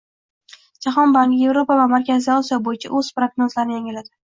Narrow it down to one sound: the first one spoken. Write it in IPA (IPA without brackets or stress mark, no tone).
d͡ʒ